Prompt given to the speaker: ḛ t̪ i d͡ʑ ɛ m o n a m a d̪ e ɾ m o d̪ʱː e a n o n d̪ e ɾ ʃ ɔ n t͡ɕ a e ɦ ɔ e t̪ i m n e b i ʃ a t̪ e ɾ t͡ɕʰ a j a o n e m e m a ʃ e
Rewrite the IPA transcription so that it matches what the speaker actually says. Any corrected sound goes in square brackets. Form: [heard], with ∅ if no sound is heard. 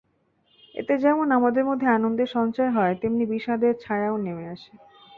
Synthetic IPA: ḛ t̪ [e] d͡ʑ ɛ m o n a m a d̪ e ɾ m o d̪ʱː e a n o n d̪ e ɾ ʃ ɔ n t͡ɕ a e ɦ ɔ e t̪ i m n [i] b i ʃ a [d̪] e ɾ t͡ɕʰ a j a o n e m e [∅] a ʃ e